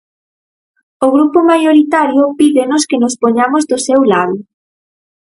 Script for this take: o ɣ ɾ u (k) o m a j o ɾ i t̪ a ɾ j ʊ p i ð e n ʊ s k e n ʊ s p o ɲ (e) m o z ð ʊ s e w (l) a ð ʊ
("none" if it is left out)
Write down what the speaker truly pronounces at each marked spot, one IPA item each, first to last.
p, a, l

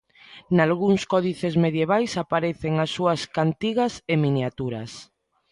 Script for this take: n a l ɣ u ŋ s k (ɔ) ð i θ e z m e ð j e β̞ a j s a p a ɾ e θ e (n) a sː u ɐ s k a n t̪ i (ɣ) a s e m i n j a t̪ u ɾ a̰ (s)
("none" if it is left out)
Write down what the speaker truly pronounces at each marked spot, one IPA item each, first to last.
ɔ, ŋ, ɣ, s

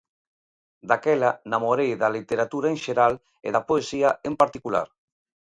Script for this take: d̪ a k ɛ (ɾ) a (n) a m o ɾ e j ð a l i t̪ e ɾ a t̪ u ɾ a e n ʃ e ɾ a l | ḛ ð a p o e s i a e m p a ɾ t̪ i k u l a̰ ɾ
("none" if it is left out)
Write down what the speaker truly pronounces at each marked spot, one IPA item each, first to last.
l, n

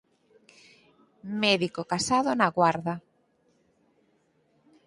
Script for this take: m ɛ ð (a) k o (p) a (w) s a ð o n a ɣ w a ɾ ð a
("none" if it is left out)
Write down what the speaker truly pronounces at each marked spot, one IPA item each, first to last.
i, k, none

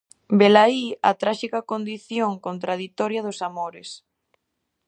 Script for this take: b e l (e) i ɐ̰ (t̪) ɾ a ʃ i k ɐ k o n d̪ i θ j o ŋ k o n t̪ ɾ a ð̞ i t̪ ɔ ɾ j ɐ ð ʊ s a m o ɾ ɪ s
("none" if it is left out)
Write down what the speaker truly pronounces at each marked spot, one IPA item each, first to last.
a, t̪

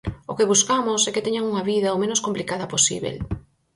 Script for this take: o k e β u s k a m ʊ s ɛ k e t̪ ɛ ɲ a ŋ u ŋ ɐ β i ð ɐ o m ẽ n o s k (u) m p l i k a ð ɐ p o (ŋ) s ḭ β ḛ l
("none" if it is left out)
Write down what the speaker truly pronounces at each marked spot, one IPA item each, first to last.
o, none

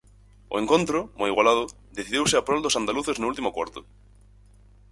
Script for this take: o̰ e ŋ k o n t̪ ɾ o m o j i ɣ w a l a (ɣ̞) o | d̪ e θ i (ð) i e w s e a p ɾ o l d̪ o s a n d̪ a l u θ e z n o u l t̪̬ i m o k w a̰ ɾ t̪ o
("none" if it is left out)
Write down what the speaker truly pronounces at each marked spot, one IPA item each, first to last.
ð̞, ð

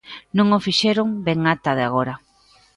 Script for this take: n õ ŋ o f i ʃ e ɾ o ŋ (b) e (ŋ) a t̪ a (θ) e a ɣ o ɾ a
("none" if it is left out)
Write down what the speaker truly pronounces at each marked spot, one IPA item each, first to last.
b, ŋ, ð

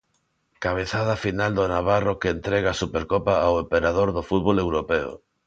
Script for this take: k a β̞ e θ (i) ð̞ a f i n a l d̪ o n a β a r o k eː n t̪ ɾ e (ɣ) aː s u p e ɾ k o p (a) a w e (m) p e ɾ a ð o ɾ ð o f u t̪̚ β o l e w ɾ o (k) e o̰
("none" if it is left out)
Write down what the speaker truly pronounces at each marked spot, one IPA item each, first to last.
a, ɣ, a, m, p

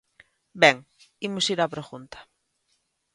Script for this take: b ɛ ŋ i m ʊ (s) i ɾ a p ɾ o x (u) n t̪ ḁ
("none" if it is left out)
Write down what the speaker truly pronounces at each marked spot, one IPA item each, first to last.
s, u

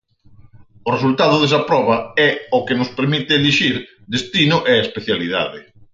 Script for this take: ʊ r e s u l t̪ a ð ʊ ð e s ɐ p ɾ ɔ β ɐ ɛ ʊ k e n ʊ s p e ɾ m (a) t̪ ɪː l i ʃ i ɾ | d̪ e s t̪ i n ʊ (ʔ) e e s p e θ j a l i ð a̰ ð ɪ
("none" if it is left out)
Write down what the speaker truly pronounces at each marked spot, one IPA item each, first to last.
i, ʔ

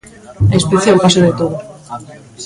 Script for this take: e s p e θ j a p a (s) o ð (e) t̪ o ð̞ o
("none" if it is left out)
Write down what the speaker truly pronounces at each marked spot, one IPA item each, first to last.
s, e

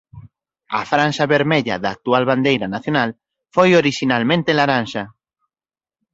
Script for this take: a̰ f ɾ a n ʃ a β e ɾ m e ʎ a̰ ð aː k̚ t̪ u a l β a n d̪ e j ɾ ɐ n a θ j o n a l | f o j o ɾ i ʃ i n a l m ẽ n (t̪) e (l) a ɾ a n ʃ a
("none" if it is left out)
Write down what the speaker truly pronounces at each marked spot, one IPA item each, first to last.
t̪, l

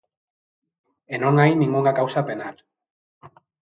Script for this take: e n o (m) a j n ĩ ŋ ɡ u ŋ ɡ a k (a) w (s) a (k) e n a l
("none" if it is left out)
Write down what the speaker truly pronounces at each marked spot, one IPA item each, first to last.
ŋ, a, s, p

